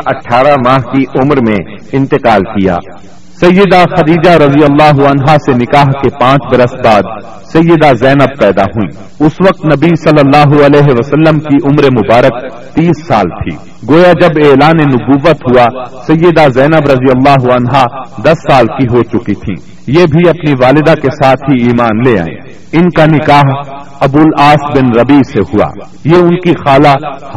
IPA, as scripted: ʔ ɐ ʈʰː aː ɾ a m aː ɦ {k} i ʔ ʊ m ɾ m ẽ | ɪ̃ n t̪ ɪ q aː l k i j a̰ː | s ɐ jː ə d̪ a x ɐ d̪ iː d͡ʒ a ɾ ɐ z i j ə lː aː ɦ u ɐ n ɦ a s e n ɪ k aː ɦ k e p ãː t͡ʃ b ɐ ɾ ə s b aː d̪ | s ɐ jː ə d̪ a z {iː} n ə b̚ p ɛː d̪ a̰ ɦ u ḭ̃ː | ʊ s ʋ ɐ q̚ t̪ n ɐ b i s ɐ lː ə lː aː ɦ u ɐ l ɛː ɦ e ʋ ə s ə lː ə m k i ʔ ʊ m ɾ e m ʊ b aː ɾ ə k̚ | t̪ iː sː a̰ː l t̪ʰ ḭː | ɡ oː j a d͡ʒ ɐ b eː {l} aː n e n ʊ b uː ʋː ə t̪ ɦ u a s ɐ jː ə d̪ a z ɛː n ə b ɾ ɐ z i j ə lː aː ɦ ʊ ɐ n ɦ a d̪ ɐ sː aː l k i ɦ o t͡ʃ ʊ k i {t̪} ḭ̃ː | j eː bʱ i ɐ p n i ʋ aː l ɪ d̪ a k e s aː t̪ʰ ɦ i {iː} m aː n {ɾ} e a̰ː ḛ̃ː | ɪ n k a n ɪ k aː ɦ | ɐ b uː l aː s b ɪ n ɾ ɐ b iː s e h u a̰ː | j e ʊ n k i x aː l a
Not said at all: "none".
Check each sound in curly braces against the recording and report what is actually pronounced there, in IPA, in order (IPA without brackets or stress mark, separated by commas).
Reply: k, ɛː, l, t̪ʰ, iː, l